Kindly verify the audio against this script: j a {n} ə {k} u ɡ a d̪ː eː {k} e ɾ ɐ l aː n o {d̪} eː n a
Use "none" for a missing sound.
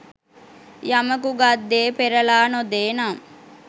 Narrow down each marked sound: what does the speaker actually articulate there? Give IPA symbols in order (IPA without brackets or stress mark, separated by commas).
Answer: m, k, p, d̪